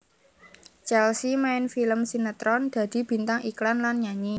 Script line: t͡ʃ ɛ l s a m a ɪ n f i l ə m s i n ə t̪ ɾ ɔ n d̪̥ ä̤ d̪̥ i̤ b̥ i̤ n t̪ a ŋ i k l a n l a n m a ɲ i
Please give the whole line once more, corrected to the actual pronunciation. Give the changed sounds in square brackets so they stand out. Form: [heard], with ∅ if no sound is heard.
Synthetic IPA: t͡ʃ ɛ l s [i] m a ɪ n f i l ə m s i n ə t̪ ɾ ɔ n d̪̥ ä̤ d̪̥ i̤ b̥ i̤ n t̪ a ŋ i k l a n l a n [ɲ] a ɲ i